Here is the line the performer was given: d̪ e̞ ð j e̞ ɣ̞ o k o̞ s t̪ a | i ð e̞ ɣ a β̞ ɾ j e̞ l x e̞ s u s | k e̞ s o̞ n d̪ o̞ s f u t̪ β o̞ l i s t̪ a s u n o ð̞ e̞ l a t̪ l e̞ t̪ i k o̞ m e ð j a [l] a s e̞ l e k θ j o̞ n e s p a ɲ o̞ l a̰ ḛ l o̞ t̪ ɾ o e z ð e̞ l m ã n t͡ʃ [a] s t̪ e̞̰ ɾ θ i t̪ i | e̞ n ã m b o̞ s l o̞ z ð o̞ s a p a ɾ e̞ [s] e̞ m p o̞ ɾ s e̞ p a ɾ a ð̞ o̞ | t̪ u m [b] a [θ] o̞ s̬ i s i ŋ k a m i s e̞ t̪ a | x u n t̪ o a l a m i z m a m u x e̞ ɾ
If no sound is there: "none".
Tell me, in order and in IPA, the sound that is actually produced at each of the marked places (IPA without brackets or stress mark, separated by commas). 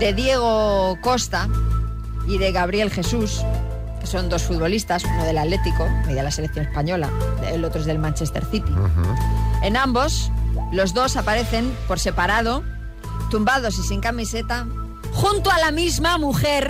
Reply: l, e, θ, b, ð